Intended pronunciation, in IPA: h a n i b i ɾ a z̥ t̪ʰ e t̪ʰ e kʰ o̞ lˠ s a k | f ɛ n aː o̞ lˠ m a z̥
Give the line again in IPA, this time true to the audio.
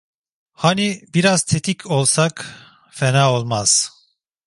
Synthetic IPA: h a n i b i ɾ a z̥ t̪ʰ e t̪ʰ i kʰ o̞ lˠ s a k | f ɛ n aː o̞ lˠ m a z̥